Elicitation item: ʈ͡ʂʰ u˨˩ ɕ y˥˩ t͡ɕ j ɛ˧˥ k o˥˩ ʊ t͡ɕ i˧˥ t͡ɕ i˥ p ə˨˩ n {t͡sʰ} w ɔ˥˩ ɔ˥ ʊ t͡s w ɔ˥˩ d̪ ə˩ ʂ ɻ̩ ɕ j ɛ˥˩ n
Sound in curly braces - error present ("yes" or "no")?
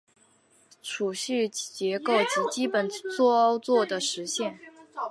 yes